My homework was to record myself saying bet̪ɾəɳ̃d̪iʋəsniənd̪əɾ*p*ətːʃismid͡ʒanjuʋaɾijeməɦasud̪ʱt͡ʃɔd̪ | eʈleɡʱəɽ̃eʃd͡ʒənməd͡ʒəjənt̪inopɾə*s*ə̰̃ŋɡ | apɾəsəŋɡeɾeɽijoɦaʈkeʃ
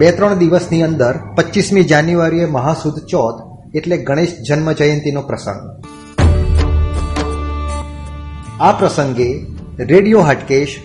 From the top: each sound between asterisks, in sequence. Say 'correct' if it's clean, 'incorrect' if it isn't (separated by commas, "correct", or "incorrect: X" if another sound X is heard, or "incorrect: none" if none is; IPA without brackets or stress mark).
correct, correct